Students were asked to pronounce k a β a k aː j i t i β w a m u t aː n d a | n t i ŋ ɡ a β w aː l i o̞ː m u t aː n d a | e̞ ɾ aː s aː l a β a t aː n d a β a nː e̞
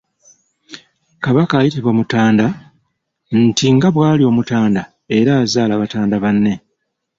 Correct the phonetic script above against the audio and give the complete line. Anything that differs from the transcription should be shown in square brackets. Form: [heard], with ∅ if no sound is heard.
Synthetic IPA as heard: k a β a k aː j i t i β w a m u t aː n d a | n t i ŋ ɡ a β w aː l i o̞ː m u t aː n d a | e̞ ɾ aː [z] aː l a β a t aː n d a β a nː e̞